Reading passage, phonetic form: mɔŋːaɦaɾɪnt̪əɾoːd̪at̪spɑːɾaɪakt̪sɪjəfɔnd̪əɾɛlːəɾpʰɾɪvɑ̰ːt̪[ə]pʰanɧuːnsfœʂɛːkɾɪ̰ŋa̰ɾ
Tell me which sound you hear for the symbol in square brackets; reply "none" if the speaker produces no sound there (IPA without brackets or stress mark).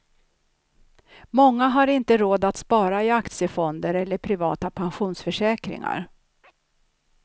a